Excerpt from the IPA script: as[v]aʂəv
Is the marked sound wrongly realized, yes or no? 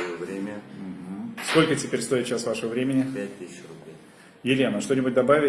no